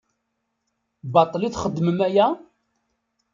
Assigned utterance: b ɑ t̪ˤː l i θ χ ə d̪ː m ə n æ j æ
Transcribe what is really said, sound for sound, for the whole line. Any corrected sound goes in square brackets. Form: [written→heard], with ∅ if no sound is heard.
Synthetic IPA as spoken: b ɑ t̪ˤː l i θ χ ə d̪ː m ə [n→m] æ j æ